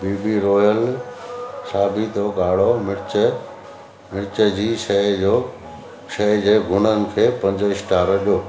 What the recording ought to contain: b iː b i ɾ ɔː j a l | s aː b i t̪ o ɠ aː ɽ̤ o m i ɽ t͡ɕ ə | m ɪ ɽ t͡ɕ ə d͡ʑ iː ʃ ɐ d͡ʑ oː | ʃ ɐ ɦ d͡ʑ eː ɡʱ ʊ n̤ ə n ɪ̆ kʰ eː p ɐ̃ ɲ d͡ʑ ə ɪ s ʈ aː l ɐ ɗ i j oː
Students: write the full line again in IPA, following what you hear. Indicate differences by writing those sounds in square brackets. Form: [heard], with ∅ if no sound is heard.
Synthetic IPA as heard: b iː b i ɾ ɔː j [ə] l | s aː b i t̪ o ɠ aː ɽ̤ o m [ɪ] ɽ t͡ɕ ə | m ɪ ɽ t͡ɕ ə d͡ʑ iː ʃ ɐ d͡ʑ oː | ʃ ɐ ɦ d͡ʑ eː ɡʱ ʊ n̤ ə n ɪ̆ kʰ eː p ɐ̃ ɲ d͡ʑ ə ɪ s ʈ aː [ɾ] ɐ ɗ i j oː